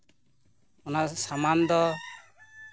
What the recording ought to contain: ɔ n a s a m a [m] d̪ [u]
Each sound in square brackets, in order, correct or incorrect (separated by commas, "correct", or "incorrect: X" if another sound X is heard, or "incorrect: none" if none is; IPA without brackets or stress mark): incorrect: n, incorrect: ɔ